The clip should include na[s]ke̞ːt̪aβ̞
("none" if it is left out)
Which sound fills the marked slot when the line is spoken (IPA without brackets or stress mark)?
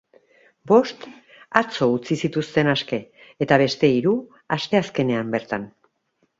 s